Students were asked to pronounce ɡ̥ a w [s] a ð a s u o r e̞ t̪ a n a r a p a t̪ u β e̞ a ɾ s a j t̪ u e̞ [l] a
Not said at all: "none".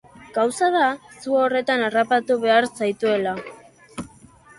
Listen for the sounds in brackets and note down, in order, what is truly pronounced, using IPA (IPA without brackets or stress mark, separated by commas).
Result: s, l